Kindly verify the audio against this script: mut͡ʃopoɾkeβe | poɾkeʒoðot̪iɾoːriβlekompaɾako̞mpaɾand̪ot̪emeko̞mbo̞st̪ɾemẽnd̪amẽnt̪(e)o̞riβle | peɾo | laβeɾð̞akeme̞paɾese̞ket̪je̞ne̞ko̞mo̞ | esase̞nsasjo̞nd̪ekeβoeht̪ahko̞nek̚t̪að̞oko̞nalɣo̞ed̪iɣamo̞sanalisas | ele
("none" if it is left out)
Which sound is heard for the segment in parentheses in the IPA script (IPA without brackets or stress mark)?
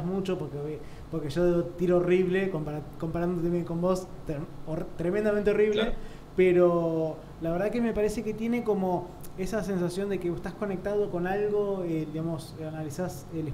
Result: e